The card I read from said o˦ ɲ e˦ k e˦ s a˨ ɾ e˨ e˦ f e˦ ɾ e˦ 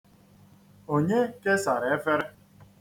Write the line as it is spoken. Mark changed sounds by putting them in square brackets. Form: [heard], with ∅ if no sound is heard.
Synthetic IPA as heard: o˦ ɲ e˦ k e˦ s a˨ ɾ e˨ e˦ f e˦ ɾ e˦